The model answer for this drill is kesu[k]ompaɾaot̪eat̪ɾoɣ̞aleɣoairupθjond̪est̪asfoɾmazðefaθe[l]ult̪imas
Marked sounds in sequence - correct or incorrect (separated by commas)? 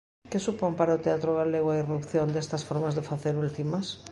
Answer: incorrect, incorrect